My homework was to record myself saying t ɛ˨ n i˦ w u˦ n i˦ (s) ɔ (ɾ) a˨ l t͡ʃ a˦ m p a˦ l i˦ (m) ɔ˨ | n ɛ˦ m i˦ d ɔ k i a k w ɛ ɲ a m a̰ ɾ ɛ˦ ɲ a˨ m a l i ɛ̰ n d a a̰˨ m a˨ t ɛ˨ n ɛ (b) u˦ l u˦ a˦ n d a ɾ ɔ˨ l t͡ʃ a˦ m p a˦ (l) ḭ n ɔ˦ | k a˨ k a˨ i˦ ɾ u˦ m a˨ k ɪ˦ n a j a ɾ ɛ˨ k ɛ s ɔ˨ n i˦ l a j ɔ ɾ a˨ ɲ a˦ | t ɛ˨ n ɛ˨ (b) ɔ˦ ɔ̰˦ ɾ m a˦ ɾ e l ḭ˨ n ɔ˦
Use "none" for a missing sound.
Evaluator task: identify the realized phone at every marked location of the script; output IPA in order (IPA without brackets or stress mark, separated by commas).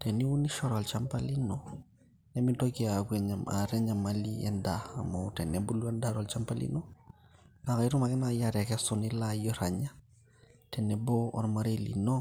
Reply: ʃ, ɾ, n, b, l, b